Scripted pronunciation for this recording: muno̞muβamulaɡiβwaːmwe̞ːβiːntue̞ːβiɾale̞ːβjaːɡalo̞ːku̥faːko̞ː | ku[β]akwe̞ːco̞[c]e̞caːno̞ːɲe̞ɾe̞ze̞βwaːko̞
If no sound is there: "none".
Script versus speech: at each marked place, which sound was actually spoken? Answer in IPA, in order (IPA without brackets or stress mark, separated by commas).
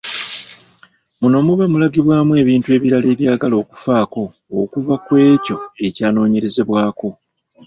v, none